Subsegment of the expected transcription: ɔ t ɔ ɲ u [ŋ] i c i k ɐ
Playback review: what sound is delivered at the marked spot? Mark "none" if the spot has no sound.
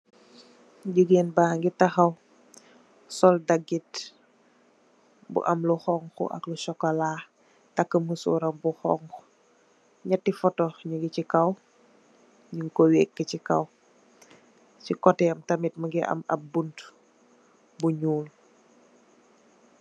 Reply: ɡ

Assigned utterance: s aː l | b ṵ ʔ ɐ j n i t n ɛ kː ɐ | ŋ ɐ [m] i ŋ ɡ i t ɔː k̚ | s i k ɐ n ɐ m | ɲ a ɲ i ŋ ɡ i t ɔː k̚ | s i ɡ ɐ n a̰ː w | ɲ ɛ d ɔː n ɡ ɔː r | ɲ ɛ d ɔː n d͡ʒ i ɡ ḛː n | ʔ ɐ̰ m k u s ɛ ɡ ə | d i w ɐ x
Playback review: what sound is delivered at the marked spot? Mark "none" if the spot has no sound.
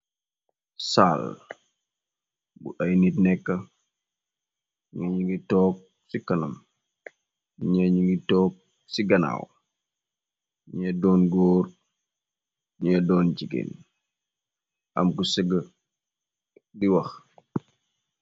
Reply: ɲ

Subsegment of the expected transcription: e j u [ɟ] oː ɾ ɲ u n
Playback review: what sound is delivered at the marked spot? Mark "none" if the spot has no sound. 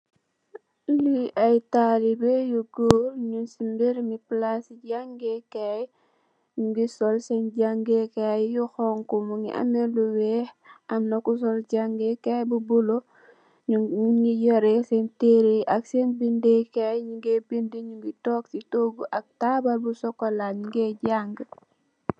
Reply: ɡ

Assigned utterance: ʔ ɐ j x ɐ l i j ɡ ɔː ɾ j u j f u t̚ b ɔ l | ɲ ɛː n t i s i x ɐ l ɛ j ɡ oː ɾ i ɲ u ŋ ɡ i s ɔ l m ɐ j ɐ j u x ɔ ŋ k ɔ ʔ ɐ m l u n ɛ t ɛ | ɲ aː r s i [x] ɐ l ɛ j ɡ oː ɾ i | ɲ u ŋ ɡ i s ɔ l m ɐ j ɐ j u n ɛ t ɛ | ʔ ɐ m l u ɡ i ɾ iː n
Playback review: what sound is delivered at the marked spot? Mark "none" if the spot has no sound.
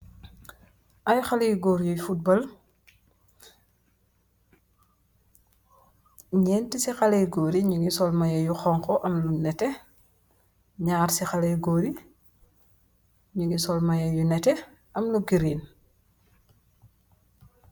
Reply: x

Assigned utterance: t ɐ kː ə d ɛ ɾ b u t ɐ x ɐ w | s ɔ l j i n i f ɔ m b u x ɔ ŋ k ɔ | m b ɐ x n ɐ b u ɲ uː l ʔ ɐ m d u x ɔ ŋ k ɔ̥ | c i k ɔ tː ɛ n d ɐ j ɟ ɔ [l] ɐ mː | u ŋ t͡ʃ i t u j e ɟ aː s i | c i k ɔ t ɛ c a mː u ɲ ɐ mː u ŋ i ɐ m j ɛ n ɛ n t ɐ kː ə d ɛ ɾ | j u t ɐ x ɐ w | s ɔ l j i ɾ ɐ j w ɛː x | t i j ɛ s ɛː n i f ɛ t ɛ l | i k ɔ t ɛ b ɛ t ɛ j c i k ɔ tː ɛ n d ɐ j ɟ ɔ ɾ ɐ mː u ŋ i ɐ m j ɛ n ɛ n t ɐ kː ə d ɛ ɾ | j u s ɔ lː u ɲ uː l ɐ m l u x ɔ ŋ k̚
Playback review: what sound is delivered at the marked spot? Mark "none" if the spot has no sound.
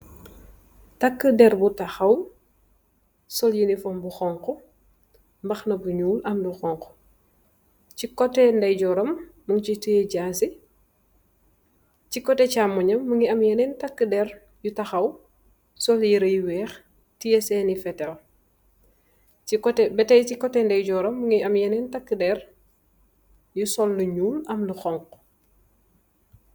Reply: ɾ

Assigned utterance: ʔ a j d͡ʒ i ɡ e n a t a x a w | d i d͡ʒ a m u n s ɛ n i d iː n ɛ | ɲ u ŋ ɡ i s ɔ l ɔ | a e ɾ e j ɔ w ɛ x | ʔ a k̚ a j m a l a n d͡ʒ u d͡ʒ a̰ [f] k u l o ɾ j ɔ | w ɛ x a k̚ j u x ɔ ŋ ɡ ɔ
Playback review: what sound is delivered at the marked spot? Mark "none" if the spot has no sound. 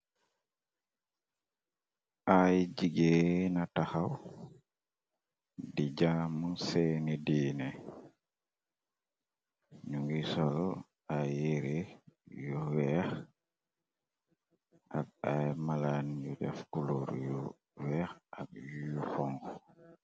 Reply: f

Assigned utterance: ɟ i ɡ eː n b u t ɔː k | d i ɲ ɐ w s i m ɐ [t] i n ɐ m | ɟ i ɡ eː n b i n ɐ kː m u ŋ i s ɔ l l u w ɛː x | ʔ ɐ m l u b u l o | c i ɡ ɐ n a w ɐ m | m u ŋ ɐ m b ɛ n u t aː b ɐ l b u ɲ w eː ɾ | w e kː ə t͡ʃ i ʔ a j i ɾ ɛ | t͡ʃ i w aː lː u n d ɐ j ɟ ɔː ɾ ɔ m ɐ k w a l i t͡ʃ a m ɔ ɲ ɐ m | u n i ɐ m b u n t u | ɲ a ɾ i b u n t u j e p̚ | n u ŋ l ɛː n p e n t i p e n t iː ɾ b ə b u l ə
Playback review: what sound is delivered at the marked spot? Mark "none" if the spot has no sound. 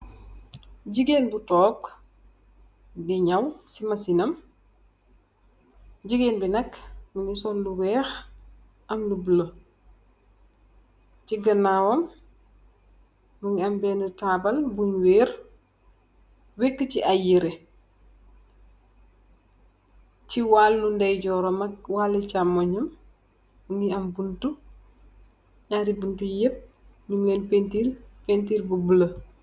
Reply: s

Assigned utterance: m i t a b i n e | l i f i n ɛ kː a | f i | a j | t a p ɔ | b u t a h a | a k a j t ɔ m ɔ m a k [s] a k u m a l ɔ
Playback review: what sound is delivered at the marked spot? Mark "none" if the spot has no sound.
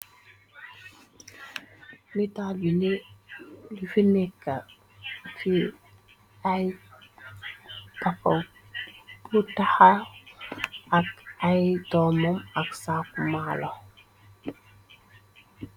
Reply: s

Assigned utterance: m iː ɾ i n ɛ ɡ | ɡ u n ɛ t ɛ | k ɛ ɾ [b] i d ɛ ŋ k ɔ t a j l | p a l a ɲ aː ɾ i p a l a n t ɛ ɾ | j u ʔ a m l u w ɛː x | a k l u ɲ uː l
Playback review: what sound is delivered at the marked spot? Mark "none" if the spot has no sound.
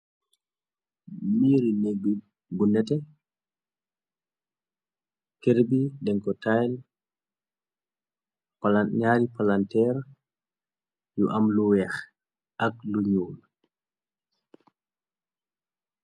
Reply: b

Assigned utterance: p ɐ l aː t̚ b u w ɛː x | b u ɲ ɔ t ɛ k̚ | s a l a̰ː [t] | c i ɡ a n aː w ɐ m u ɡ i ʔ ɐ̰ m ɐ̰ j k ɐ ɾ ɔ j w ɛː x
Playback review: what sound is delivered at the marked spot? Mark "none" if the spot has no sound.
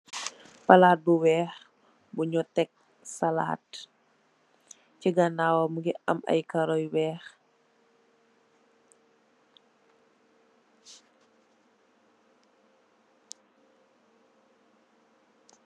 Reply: t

